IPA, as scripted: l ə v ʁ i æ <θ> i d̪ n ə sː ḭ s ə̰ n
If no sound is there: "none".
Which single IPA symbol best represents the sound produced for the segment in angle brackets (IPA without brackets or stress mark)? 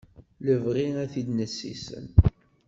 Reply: θ